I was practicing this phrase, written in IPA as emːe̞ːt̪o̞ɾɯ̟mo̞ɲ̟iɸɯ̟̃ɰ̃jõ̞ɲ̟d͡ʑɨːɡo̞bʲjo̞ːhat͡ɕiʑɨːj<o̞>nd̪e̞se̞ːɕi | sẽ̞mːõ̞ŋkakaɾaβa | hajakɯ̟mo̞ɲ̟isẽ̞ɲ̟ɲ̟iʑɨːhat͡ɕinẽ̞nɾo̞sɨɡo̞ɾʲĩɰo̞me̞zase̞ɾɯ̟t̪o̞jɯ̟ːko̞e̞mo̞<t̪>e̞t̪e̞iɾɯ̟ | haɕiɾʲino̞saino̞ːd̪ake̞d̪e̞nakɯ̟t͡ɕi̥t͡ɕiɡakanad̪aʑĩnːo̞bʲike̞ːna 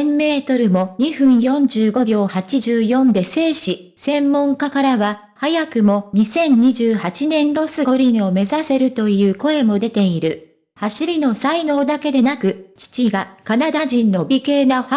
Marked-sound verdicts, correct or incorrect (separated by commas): incorrect, incorrect